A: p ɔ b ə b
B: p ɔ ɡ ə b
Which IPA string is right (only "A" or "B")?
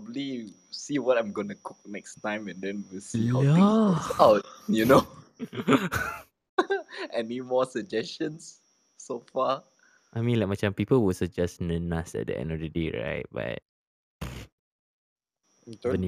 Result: A